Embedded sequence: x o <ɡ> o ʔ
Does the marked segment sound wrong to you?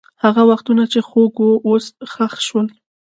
no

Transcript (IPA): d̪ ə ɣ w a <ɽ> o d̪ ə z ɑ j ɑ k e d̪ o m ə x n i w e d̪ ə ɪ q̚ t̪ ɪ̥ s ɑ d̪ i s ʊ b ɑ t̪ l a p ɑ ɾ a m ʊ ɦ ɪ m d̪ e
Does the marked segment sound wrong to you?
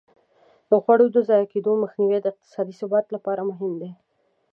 no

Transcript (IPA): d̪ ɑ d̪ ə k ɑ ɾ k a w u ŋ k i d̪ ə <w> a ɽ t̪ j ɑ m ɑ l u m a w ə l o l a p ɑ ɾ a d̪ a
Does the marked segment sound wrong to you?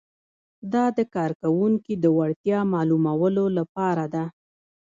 no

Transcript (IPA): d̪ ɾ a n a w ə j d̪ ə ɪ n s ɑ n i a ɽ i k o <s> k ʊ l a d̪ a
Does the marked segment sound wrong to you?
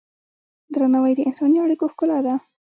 yes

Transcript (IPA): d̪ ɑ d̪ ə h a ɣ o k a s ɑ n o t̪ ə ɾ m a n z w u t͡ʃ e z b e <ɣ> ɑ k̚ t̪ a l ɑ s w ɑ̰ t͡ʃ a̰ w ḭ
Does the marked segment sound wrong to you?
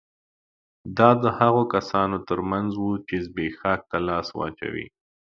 yes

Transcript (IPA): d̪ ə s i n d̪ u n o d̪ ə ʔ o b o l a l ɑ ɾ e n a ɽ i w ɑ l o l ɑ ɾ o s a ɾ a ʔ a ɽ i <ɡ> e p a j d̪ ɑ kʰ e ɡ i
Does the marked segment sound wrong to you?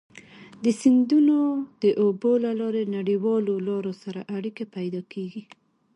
yes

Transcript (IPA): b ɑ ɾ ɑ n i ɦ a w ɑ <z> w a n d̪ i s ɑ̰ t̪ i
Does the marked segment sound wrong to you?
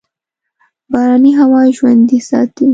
yes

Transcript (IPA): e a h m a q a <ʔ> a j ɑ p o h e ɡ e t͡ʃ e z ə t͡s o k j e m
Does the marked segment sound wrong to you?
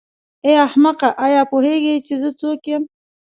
no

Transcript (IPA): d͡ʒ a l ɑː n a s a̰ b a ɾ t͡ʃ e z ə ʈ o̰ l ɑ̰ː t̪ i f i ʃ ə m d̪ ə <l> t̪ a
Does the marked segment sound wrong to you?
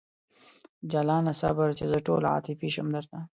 yes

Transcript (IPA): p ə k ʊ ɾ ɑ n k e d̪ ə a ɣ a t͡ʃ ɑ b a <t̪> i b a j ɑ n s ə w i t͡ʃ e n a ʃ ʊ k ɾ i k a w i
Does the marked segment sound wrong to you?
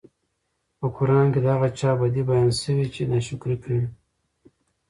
yes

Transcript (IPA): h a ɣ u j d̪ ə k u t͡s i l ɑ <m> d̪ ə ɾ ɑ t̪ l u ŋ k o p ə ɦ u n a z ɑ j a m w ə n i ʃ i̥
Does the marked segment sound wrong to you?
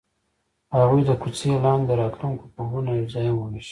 yes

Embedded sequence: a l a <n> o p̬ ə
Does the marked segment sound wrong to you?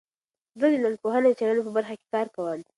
no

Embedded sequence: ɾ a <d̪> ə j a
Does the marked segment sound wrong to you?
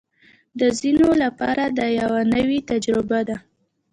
no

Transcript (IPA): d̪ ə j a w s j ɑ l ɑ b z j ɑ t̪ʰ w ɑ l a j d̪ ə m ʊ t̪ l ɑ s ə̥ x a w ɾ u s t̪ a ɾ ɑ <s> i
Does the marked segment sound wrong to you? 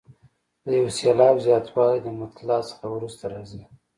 yes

